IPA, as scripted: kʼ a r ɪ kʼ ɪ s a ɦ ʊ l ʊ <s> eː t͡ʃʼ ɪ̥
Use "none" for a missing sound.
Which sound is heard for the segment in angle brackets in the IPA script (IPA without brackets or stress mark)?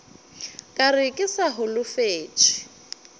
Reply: f